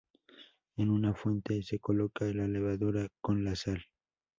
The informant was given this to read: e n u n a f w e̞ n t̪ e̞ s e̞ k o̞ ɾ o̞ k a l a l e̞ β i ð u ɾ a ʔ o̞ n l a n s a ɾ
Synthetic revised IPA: e n u n a f w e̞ n t̪ e̞ s e̞ k o̞ l o̞ k a l a l e̞ β a ð u ɾ a k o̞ n l a s a l